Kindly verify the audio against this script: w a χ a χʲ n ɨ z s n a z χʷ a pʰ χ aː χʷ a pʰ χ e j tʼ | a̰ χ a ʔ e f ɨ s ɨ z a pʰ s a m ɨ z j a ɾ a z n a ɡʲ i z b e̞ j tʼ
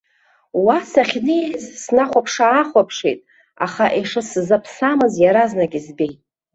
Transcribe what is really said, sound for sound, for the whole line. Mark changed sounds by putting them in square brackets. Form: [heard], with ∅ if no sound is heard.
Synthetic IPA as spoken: w a [s] a χʲ n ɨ z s n a [∅] χʷ a pʰ [ʂ] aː χʷ a pʰ [ʂ] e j tʼ | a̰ χ a ʔ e [ʂ] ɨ s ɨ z a pʰ s a m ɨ z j a ɾ a z n a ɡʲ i z b e̞ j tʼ